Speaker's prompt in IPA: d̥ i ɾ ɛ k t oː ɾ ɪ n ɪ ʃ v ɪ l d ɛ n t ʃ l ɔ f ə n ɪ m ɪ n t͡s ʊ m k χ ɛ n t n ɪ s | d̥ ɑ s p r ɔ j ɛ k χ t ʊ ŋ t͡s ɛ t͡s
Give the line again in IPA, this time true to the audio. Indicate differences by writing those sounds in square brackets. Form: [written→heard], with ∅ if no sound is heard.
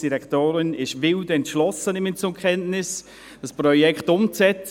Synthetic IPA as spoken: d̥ i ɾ ɛ k t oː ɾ ɪ n ɪ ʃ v ɪ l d ɛ n t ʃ l ɔ [f→s] ə n ɪ m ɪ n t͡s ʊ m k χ ɛ n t n ɪ s | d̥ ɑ s p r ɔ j ɛ k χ t ʊ [ŋ→m] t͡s ɛ t͡s